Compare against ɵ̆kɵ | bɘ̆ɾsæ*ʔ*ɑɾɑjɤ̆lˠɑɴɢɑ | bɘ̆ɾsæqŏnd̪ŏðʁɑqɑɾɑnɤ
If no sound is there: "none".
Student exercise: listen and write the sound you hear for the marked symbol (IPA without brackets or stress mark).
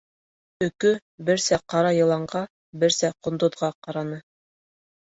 q